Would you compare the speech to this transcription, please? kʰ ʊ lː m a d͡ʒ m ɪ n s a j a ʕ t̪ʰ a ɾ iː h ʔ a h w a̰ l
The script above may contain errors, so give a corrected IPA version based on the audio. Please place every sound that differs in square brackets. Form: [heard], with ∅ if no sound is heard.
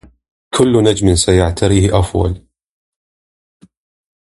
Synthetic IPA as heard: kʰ ʊ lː [n] a d͡ʒ m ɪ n s a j a ʕ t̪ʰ a ɾ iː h ʔ a [f] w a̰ l